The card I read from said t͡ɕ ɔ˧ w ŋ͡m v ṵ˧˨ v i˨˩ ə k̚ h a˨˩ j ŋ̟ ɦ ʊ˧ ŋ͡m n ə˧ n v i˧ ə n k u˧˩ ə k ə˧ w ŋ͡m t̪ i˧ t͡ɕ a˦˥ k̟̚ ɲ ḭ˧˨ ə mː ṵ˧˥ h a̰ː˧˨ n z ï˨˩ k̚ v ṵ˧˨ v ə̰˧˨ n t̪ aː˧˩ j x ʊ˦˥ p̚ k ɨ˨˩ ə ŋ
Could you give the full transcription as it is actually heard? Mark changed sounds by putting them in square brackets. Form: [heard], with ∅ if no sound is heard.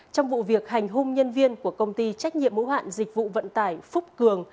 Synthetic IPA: t͡ɕ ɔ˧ w ŋ͡m v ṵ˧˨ v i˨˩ ə k̚ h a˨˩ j ŋ̟ ɦ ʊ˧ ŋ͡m [ɲ] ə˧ n v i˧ ə n k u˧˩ ə k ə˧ w ŋ͡m t̪ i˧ t͡ɕ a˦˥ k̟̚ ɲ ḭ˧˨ ə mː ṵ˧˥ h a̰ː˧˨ n z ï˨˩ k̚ v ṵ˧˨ v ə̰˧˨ n t̪ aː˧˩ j [f] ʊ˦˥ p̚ k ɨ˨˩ ə ŋ